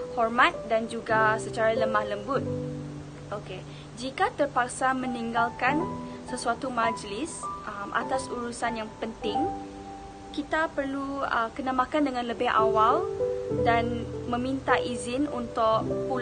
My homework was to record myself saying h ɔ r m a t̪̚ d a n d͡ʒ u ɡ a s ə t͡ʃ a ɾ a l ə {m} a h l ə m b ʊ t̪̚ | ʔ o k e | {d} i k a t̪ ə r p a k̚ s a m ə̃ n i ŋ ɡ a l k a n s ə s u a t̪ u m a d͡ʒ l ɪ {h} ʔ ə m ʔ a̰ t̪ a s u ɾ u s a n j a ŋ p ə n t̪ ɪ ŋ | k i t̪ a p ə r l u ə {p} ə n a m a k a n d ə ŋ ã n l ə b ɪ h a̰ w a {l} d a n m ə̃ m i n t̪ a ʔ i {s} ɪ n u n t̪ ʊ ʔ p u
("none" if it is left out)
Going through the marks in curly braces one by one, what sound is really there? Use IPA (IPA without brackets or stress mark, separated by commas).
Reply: m, d͡ʒ, s, k, l, z